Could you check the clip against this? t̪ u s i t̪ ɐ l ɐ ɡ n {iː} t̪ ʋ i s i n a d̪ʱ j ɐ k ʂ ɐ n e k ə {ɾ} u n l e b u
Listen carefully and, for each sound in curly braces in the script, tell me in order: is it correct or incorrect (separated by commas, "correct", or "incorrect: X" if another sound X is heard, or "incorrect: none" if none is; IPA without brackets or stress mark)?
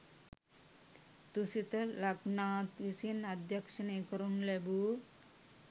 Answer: incorrect: aː, correct